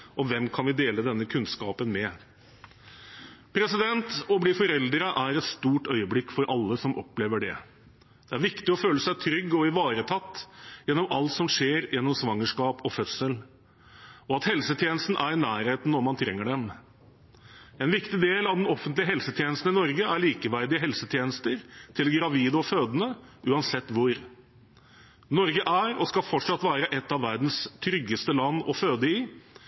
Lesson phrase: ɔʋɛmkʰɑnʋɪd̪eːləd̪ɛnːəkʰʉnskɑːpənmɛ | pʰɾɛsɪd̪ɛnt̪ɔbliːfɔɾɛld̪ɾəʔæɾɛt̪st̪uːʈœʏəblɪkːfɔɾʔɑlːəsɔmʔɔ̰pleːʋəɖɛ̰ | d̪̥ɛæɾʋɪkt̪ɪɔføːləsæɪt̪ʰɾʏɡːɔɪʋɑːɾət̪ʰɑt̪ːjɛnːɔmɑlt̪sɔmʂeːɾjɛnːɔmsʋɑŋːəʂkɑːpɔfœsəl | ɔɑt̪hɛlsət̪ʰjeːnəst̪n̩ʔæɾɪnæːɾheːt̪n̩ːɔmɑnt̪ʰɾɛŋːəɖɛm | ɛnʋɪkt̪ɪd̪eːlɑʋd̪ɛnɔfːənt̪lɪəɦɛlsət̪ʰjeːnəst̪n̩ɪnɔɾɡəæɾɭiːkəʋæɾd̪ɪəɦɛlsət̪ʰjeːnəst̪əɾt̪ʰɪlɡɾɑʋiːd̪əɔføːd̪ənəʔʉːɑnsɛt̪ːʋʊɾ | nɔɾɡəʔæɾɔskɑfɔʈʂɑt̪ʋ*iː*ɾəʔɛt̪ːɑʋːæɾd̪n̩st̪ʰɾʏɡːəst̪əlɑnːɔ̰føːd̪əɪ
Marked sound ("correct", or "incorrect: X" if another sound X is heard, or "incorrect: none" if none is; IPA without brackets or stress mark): incorrect: æː